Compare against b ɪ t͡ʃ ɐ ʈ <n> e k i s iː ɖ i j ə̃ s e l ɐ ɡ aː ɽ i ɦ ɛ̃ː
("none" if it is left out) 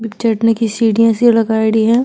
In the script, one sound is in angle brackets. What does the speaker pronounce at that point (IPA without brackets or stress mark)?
n